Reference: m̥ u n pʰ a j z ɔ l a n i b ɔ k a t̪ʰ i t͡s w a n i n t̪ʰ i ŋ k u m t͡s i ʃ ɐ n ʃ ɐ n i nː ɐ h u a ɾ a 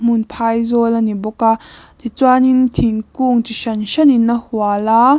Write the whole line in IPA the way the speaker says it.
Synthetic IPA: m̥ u n pʰ a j z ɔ l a n i b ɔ k a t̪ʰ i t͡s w a n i n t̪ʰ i ŋ k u ŋ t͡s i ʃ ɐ n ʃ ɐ n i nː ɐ h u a l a